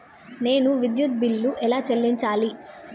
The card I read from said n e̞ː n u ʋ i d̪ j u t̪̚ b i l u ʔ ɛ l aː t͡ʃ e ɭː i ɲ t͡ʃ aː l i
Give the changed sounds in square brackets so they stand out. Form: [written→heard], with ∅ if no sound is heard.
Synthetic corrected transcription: n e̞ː n u ʋ i d̪ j u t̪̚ b i [l→lː] u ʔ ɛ l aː t͡ʃ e [ɭː→lː] i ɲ t͡ʃ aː l i

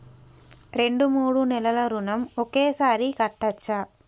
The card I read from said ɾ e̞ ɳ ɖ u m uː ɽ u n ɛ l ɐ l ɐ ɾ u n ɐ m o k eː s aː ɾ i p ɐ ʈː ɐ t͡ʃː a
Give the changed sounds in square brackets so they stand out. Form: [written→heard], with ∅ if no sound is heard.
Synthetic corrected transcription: ɾ e̞ ɳ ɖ u m uː ɽ u n ɛ l ɐ l ɐ ɾ u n ɐ m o k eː s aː ɾ i [p→k] ɐ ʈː ɐ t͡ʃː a

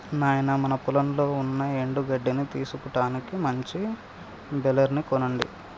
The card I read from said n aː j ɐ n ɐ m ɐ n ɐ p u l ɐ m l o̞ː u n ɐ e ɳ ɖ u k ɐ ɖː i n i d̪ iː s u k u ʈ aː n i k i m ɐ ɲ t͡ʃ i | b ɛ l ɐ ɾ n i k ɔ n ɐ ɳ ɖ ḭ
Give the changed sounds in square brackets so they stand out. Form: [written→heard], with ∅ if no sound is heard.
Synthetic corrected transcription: n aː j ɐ n ɐ m ɐ n ɐ p u l ɐ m l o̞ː u [n→nː] ɐ e ɳ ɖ u [k→ɡ] ɐ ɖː i n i [d̪→t̪] iː s u k u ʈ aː n i k i m ɐ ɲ t͡ʃ i | b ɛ l ɐ ɾ n i k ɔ n ɐ ɳ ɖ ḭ

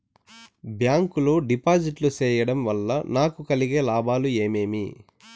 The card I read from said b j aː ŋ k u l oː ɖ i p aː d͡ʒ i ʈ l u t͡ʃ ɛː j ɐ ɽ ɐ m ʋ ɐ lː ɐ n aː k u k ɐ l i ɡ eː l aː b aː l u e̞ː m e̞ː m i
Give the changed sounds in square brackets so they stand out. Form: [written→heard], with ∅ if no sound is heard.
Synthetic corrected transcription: b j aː ŋ k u l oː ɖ i p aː d͡ʒ i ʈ l u t͡ʃ ɛː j ɐ ɽ ɐ m ʋ ɐ lː ɐ n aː k u k ɐ l i ɡ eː l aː b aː l u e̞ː m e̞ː m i

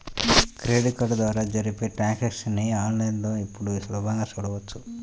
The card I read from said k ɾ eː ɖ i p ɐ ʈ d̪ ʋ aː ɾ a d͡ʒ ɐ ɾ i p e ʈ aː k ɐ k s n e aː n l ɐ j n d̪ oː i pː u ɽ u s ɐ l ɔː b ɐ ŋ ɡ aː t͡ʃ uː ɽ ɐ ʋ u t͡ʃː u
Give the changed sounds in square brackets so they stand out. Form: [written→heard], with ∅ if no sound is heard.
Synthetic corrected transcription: k ɾ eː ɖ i [p→k] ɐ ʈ d̪ ʋ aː ɾ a d͡ʒ ɐ ɾ i p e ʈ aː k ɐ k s n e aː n l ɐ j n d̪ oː i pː u ɽ u s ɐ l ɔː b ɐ ŋ ɡ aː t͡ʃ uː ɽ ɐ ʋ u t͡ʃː u

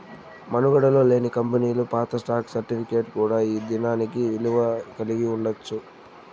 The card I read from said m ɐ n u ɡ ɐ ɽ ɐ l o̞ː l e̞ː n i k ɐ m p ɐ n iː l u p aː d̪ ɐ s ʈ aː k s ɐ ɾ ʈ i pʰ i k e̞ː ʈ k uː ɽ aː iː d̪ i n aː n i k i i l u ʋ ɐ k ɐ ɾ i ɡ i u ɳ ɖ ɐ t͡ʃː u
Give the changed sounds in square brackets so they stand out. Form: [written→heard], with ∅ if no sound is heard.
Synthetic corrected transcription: m ɐ n u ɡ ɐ ɽ ɐ l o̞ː l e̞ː n i k ɐ m p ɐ n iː l u p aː [d̪→t̪] ɐ s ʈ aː k s ɐ ɾ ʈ i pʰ i k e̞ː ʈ k uː ɽ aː iː d̪ i n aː n i k i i l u ʋ ɐ k ɐ [ɾ→l] i ɡ i u ɳ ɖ ɐ t͡ʃː u

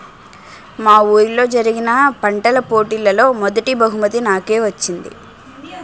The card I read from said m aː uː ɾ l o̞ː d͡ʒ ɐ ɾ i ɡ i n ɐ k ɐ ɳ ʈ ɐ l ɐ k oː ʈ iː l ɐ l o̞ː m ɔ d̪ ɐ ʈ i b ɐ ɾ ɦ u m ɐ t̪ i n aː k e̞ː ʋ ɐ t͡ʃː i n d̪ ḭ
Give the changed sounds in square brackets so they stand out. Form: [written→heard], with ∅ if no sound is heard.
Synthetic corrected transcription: m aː uː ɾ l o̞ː d͡ʒ ɐ ɾ i ɡ i n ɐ [k→p] ɐ ɳ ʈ ɐ l ɐ [k→p] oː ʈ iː l ɐ l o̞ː m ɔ d̪ ɐ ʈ i b ɐ [ɾ→∅] ɦ u m ɐ t̪ i n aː k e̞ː ʋ ɐ t͡ʃː i n d̪ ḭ

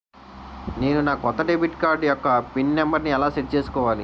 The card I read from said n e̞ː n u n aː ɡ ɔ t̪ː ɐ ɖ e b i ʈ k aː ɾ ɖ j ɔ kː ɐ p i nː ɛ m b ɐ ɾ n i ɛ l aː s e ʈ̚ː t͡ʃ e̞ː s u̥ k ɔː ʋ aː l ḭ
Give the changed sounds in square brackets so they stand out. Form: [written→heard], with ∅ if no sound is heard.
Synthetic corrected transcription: n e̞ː n u n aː [ɡ→k] ɔ t̪ː ɐ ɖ e b i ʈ k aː ɾ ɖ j ɔ kː ɐ p i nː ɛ m b ɐ ɾ n i ɛ l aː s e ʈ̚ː t͡ʃ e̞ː s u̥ k ɔː ʋ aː l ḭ

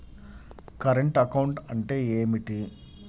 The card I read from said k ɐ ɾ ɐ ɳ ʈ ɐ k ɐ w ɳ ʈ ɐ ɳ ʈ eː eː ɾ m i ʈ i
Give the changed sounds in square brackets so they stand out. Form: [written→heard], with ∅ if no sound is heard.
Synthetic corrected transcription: k ɐ ɾ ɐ ɳ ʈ ɐ k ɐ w ɳ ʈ ɐ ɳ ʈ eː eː [ɾ→∅] m i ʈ i

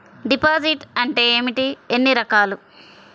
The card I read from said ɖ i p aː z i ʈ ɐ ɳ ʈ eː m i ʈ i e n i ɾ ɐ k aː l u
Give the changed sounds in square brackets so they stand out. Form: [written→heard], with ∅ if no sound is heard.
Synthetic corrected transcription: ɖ i p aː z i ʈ ɐ ɳ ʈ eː m i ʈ i e [n→nː] i ɾ ɐ k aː l u

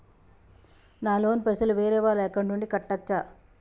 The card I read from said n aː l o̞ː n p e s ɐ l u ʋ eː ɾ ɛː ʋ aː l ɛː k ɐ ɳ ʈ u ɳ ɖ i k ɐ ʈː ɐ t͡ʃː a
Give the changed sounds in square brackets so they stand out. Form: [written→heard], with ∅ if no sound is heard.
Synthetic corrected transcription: n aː l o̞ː n p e s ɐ l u ʋ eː ɾ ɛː ʋ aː l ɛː k ɐ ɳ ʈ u ɳ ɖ i k ɐ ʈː ɐ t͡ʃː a

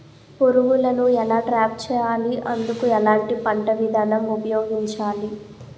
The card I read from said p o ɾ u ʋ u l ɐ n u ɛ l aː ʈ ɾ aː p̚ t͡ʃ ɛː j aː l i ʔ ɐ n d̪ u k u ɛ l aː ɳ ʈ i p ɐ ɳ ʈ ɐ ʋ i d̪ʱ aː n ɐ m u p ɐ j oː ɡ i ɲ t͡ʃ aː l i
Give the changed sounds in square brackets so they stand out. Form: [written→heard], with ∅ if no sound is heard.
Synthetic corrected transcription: p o ɾ u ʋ u l ɐ n u ɛ l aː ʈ ɾ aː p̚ t͡ʃ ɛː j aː l i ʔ ɐ n d̪ u k u ɛ l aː ɳ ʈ i p ɐ ɳ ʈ ɐ ʋ i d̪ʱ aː n ɐ m u p ɐ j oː ɡ i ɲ t͡ʃ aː l i

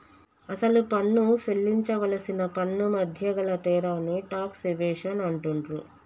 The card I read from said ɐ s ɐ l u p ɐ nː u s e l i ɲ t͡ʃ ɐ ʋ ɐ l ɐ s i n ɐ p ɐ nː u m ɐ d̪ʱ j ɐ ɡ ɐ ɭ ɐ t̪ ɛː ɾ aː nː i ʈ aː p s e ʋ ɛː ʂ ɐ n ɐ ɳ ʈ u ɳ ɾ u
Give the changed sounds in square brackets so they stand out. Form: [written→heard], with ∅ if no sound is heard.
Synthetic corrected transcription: ɐ s ɐ l u p ɐ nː u s e [l→lː] i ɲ t͡ʃ ɐ ʋ ɐ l ɐ s i n ɐ p ɐ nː u m ɐ d̪ʱ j ɐ ɡ ɐ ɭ ɐ t̪ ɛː ɾ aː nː i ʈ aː [p→k] s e ʋ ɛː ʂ ɐ n ɐ ɳ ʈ u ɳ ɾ u

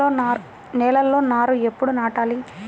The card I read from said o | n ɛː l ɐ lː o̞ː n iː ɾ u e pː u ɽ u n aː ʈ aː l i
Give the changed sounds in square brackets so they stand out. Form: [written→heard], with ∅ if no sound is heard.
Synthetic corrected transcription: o | n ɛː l ɐ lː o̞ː n [iː→aː] ɾ u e pː u ɽ u n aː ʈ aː l i

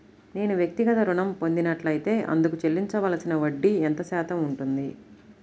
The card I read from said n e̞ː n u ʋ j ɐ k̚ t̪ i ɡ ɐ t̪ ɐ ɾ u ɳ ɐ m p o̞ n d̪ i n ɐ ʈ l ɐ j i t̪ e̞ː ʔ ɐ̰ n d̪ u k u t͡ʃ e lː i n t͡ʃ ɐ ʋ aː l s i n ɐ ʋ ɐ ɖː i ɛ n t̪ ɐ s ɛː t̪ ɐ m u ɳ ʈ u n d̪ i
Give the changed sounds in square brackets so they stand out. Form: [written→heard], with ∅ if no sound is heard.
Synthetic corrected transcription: n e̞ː n u ʋ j ɐ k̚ t̪ i ɡ ɐ t̪ ɐ ɾ u ɳ ɐ m p o̞ n d̪ i n ɐ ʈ l ɐ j i t̪ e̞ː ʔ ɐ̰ n d̪ u k u t͡ʃ e lː i [n→ɲ] t͡ʃ ɐ ʋ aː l s i n ɐ ʋ ɐ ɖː i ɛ n t̪ ɐ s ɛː t̪ ɐ m u ɳ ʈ u n d̪ i

